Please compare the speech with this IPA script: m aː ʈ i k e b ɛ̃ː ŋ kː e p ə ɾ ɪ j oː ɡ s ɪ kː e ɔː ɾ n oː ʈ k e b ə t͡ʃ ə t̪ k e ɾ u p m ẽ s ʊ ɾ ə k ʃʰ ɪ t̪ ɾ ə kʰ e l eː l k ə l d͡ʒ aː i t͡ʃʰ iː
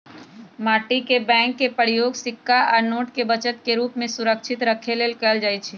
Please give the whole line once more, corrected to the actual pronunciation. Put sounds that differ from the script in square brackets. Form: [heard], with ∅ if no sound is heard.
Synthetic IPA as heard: m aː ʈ i k e b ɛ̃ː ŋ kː e p ə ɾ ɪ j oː ɡ s ɪ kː [a] ɔː ɾ n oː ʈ k e b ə t͡ʃ ə t̪ k e ɾ [uː] p m ẽ s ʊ ɾ ə k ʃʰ ɪ t̪ ɾ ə kʰ e l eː l k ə l d͡ʒ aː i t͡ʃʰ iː